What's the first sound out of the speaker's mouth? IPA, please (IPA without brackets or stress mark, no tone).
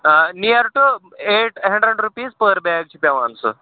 n